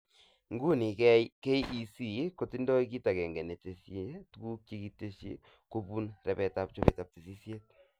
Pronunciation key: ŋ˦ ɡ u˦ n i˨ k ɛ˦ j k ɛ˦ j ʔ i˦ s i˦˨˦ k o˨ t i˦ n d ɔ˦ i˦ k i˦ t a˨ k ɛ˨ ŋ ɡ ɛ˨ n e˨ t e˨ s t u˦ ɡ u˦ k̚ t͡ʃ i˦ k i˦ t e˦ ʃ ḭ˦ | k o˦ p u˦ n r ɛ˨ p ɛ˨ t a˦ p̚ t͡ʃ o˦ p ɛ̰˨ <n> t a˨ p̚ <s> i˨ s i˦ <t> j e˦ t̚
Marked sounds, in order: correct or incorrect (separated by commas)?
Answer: incorrect, incorrect, incorrect